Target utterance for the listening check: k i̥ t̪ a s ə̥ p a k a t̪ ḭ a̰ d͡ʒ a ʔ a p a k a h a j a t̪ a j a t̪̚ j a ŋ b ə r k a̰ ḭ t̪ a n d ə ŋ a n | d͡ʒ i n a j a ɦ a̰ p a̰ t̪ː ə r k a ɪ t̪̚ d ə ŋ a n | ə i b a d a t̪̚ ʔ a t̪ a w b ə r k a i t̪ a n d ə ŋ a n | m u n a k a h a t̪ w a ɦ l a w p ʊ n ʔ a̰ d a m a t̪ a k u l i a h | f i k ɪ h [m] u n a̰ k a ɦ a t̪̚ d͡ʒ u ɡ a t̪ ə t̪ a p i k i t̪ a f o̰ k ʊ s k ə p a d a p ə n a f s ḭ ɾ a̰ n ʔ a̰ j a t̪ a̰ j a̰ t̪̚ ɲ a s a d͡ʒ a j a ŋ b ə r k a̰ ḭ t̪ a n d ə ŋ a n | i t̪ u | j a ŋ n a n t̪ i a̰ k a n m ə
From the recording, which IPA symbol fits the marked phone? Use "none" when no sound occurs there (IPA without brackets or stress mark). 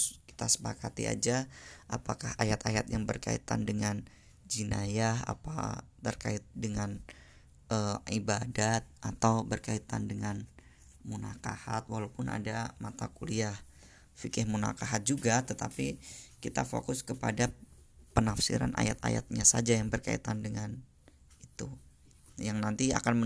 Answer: m